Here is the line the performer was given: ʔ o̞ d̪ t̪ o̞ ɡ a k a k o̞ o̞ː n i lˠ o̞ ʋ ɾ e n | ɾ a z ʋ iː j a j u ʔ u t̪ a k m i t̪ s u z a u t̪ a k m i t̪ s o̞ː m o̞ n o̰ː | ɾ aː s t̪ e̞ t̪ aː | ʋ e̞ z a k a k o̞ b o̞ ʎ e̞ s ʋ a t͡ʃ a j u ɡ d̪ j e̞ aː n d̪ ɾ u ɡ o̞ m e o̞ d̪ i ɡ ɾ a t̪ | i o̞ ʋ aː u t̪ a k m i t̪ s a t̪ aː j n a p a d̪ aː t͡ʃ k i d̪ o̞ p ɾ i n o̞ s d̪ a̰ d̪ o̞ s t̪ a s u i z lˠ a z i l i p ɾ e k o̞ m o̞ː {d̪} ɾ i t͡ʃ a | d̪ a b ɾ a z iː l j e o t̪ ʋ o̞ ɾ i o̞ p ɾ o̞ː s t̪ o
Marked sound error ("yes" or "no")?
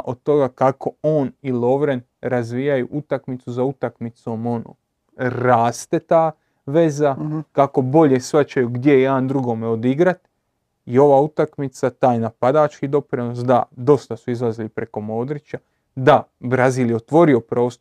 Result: no